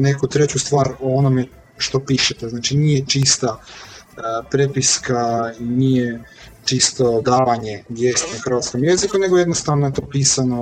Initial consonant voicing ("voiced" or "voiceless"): voiced